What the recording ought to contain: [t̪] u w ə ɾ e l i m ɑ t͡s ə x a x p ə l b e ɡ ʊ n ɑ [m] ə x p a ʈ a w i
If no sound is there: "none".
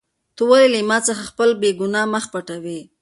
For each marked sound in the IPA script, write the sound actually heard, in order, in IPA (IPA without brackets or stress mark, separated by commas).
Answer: t̪, m